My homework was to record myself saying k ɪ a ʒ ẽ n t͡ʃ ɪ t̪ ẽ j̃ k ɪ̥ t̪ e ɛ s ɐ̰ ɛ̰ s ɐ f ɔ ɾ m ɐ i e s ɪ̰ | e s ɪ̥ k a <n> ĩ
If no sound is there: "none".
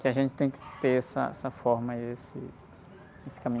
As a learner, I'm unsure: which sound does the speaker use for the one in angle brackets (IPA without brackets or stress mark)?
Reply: m